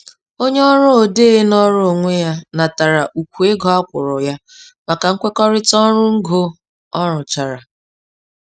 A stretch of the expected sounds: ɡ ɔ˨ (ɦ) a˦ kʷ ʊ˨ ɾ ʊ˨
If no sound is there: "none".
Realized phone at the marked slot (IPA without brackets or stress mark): none